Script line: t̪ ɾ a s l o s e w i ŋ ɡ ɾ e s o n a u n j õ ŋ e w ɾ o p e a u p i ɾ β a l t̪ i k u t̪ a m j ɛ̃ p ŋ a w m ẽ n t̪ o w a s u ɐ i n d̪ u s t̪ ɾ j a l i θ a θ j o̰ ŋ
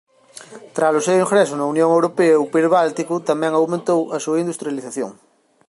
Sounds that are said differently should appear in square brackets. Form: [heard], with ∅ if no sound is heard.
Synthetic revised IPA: t̪ ɾ a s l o s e w i ŋ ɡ ɾ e s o n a u n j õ ŋ e w ɾ o p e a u p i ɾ β a l t̪ i k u t̪ a m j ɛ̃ [∅] ŋ a w m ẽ n t̪ o w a s u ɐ i n d̪ u s t̪ ɾ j a l i θ a θ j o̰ ŋ